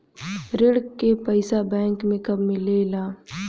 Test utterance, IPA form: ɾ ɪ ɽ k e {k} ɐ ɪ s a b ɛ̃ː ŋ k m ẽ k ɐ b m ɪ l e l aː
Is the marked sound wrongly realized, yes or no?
yes